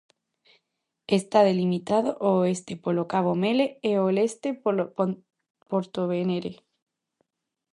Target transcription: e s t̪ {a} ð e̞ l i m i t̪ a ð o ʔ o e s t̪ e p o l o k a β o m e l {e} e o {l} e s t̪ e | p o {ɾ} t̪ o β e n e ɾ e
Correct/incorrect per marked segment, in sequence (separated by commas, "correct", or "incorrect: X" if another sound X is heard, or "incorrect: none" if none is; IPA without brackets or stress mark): correct, correct, correct, correct